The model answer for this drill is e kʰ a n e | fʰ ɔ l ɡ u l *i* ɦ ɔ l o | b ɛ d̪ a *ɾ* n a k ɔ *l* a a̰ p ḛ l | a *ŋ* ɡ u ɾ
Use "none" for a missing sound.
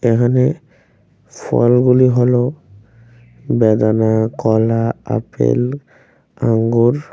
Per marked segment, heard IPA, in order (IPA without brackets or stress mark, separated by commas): i, none, l, ŋ